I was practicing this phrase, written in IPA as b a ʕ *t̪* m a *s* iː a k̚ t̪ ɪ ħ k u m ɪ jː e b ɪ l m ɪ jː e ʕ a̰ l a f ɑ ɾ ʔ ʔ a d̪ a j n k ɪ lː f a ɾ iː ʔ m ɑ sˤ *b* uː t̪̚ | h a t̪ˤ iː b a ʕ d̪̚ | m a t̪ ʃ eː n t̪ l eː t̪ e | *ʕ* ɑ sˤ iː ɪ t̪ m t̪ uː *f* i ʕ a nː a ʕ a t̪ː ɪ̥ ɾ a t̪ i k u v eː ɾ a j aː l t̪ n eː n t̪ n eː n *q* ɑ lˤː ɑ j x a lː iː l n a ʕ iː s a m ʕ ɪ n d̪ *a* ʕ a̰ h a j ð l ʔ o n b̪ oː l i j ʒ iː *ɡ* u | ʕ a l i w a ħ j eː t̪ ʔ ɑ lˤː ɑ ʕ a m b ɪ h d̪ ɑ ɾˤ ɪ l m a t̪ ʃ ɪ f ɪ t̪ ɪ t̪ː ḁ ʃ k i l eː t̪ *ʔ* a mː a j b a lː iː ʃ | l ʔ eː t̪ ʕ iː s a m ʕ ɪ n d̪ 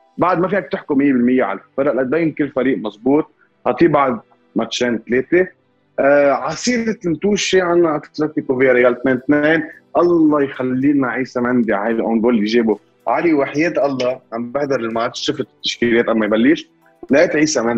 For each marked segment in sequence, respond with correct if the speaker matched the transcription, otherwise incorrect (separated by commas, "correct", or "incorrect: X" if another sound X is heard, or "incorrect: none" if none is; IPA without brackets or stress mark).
incorrect: d̪, incorrect: f, correct, correct, incorrect: ʃ, incorrect: ʔ, incorrect: i, incorrect: b, correct